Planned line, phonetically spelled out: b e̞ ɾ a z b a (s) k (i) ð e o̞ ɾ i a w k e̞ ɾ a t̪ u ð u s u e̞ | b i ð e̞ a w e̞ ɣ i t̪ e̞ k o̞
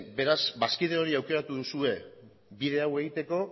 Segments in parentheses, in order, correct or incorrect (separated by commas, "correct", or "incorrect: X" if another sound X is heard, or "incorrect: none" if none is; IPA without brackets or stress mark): correct, correct